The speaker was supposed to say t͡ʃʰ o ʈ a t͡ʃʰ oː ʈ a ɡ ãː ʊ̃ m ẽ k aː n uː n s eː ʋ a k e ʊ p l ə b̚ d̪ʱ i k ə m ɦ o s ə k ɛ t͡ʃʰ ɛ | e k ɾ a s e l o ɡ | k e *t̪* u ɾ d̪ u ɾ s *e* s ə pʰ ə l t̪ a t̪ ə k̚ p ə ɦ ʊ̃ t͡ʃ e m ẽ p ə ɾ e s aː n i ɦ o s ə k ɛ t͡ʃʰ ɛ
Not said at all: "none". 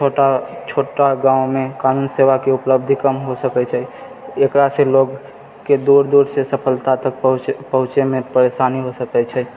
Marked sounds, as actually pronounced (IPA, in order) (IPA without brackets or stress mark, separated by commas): d̪, e